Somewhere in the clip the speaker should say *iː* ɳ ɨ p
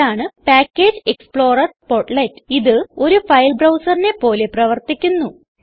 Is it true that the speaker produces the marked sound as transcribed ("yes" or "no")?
no